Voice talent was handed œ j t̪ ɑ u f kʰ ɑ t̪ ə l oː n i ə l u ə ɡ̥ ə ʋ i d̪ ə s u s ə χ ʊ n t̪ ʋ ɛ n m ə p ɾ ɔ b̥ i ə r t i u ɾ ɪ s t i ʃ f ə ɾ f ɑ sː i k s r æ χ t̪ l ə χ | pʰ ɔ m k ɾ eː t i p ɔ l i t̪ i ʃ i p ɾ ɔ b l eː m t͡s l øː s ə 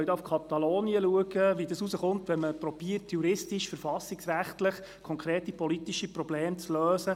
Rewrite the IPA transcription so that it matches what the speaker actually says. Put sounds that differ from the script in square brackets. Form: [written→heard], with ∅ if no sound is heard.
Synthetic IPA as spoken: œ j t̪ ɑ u f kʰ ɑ t̪ [ə→ɑ] l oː n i ə l u ə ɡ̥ ə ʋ i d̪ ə s u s ə χ ʊ n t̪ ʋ ɛ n m ə p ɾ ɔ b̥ i ə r t [i→j] u ɾ ɪ s t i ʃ f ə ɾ f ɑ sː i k s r æ χ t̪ l ə χ | [pʰ→kʰ] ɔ [m→ŋ] k ɾ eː t i p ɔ l i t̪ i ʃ i p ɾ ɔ b l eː m t͡s l øː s ə